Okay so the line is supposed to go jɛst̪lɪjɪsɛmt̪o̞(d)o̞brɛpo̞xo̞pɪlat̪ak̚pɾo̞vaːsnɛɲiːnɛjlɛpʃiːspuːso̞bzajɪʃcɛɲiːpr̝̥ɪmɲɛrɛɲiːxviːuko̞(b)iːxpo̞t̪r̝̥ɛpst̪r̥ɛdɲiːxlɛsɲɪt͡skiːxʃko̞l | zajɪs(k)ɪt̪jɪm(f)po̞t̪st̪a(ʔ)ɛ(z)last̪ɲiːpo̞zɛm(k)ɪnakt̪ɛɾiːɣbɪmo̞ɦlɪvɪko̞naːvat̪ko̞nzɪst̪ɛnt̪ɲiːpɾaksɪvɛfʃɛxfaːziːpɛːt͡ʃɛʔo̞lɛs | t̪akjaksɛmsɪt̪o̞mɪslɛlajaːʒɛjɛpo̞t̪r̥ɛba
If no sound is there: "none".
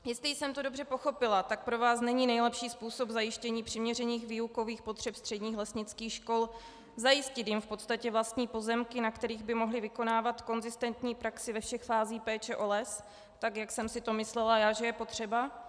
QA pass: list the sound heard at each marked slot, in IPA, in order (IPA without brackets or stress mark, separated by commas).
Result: d, v, c, f, c, v, k